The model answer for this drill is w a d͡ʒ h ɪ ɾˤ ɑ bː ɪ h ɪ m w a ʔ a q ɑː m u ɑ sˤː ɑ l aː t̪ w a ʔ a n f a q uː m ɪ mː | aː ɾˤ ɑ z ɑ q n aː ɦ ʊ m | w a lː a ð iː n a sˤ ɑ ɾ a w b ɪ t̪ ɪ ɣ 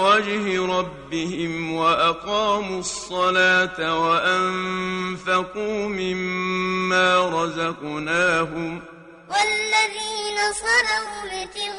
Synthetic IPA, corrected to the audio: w a d͡ʒ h ɪ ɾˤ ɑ bː ɪ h ɪ m w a ʔ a q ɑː m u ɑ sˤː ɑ l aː t̪ w a ʔ a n f a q uː m ɪ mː | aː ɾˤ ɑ z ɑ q n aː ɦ ʊ m | w a lː a ð iː n a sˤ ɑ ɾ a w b ɪ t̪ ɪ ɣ